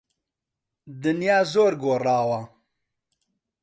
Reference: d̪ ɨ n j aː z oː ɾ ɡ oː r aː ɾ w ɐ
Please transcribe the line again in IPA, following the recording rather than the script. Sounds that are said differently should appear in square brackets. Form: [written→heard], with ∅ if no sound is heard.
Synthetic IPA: d̪ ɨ n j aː z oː ɾ ɡ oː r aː [ɾ→∅] w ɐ